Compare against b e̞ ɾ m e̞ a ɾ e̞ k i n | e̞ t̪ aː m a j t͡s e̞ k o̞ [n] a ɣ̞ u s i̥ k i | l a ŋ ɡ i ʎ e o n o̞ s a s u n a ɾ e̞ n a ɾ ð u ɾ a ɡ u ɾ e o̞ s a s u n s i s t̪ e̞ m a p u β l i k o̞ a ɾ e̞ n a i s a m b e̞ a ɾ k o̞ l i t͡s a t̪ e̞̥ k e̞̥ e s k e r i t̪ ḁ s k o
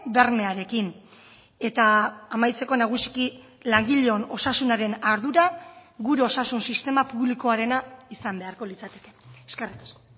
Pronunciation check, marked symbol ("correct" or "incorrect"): correct